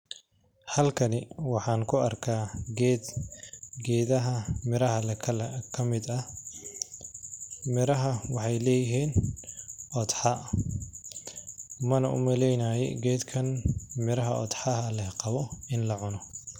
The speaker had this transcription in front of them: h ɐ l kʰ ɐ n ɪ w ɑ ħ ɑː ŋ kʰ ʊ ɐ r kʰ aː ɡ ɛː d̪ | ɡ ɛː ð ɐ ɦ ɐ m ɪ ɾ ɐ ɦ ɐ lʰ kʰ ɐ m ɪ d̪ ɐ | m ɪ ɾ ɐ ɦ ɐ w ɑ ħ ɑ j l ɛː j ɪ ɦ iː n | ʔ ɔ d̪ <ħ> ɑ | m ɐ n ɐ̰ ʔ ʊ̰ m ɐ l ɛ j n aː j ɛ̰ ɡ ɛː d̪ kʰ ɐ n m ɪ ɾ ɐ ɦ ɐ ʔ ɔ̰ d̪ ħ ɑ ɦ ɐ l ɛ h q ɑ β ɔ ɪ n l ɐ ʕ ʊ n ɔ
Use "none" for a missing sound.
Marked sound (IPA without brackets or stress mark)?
ħ